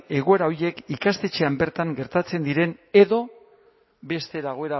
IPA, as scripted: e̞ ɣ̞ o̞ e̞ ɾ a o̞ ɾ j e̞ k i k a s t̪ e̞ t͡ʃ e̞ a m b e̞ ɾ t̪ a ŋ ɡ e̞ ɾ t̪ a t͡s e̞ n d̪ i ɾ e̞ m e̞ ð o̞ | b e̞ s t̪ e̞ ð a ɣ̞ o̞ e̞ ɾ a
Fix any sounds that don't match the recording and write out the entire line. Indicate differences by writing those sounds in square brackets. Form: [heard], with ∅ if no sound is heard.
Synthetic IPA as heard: e̞ ɣ̞ o̞ e̞ ɾ a o̞ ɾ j e̞ k i k a s t̪ e̞ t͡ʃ e̞ a m b e̞ ɾ t̪ a ŋ ɡ e̞ ɾ t̪ a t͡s e̞ n d̪ i ɾ e̞ [n] e̞ ð o̞ | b e̞ s t̪ e̞ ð a ɣ̞ o̞ e̞ ɾ a